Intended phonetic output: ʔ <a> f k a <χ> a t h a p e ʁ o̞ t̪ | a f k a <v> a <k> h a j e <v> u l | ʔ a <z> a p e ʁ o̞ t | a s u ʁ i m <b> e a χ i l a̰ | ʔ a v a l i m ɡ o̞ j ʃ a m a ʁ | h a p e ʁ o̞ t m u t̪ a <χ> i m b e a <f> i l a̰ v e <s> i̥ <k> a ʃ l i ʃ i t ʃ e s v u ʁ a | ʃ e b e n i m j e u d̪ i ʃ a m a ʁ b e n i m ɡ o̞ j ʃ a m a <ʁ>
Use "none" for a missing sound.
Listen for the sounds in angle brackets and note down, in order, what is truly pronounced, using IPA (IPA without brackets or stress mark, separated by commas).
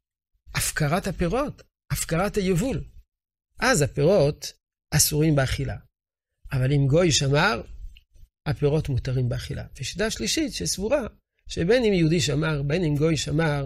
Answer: a, ʁ, ʁ, t, v, z, b, ʁ, χ, ʃ, t, ʁ